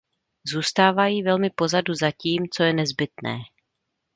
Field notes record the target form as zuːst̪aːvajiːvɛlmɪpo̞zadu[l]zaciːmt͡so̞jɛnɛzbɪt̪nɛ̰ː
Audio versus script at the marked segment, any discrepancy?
yes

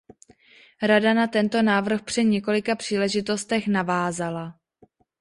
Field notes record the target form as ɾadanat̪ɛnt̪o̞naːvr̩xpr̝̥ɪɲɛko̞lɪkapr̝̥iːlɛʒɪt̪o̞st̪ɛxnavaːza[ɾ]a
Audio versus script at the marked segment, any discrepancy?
yes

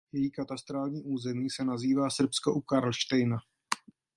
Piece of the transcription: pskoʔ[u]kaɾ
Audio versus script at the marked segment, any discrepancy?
no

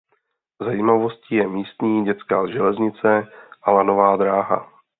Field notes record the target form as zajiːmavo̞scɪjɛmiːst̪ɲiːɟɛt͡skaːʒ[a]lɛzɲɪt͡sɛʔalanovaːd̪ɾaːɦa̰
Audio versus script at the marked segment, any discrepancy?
yes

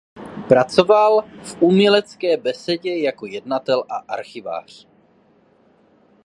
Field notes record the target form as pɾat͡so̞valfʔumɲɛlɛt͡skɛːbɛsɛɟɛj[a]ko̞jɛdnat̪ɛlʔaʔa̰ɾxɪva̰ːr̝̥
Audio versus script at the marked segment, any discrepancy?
no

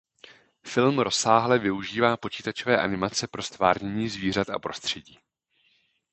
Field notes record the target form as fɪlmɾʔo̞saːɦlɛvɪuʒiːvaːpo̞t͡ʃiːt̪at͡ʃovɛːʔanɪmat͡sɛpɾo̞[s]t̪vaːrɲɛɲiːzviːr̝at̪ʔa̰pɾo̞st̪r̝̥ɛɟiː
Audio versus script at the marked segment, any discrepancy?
no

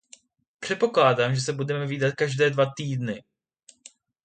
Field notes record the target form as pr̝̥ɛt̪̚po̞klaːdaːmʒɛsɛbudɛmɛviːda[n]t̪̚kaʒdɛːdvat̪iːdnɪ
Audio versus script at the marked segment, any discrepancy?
yes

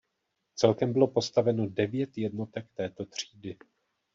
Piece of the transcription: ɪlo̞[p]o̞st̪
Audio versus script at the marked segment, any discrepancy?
no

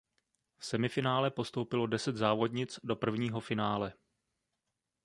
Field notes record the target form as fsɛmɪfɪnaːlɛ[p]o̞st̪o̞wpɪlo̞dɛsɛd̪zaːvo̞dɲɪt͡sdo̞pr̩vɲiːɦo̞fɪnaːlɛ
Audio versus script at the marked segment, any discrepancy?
no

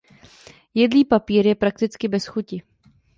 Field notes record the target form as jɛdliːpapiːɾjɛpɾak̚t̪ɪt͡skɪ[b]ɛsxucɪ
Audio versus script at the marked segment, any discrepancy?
no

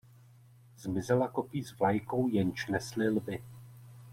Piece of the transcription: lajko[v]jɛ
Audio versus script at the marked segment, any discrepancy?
yes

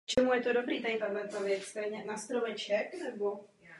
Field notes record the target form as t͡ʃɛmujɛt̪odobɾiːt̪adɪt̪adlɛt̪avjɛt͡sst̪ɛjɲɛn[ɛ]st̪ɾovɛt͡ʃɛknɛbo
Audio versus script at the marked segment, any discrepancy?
yes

